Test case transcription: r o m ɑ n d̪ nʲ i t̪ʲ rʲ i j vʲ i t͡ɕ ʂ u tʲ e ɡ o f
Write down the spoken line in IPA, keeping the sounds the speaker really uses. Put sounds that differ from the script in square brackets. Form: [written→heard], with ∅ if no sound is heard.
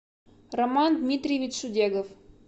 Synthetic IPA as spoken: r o m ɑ n d̪ [nʲ→mʲ] i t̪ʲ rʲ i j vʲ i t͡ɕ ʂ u [tʲ→dʲ] e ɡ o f